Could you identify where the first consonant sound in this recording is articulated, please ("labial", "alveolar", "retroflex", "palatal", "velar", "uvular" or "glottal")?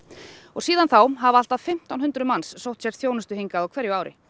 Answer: velar